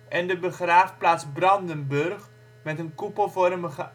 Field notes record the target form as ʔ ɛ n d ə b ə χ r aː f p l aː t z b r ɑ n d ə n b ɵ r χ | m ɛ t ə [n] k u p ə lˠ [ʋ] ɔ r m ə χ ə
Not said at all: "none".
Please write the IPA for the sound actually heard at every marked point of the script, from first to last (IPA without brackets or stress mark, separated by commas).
n, v